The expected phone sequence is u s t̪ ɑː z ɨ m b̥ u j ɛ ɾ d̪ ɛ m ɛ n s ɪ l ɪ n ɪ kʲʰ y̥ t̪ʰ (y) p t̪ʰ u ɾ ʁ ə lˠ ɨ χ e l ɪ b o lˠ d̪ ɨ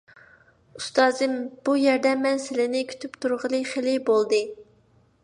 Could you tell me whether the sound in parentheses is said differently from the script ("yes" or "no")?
no